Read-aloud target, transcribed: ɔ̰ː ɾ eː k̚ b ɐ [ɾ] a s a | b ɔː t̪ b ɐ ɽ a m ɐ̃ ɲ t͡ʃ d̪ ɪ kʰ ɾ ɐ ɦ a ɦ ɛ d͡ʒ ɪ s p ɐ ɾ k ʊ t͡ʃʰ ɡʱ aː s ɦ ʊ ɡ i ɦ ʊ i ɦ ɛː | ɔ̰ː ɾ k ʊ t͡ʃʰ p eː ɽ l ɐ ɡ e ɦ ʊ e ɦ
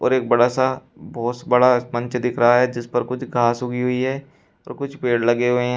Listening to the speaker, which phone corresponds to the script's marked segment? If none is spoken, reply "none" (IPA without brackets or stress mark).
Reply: ɽ